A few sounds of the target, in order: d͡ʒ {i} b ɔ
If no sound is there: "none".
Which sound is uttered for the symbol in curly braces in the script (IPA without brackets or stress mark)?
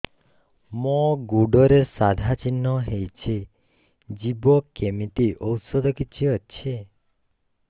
i